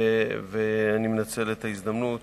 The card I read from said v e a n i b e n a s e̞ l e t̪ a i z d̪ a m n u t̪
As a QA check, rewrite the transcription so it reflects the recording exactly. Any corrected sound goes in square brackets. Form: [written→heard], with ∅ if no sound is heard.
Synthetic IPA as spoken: v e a n i [b→m] e n a [s→t͡s] e̞ l e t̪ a i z d̪ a m n u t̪